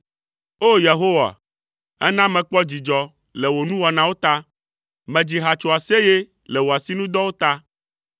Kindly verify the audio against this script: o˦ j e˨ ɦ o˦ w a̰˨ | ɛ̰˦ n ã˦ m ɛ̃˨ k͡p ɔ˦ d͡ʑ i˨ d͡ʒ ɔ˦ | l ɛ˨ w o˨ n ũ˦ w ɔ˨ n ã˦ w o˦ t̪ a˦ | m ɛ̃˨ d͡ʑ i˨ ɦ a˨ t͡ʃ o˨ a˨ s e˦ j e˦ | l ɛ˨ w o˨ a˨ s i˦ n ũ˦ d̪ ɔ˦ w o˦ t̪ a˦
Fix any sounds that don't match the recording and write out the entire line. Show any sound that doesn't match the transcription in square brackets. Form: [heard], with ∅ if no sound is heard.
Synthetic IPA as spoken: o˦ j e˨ ɦ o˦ w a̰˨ | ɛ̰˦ n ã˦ m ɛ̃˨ k͡p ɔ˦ d͡ʑ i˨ d͡ʒ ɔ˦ | l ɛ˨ w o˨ n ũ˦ w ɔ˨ n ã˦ w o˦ t̪ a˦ | m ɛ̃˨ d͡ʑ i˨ ɦ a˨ t͡ʃ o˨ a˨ s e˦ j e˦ | l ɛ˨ w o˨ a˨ s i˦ n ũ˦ d̪ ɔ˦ w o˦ t̪ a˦